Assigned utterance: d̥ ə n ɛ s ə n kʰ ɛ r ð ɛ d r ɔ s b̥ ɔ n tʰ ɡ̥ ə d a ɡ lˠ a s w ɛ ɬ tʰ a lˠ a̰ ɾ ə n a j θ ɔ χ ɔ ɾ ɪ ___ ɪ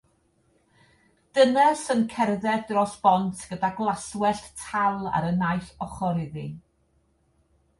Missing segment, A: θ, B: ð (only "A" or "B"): B